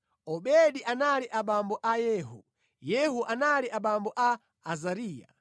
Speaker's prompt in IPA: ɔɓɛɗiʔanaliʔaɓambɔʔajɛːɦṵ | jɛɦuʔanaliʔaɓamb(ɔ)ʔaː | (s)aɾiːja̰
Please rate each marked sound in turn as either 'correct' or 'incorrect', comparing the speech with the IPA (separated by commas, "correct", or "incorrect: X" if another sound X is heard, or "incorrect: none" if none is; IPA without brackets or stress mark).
correct, incorrect: z